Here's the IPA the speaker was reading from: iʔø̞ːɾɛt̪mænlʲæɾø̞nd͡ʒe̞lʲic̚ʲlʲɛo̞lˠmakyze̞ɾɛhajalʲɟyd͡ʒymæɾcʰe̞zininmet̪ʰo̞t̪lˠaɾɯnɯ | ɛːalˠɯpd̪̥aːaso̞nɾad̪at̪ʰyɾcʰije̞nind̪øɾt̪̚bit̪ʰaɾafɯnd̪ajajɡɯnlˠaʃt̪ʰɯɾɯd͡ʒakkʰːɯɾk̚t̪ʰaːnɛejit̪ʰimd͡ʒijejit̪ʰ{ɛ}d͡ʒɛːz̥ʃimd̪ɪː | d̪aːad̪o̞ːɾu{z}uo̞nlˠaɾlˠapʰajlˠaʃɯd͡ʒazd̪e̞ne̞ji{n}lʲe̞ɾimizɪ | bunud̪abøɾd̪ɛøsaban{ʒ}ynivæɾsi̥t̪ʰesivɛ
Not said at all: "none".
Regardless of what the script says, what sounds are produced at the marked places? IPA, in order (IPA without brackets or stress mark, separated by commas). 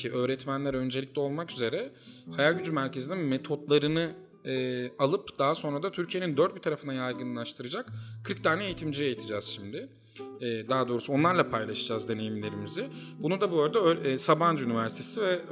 i, s, m, d͡ʒ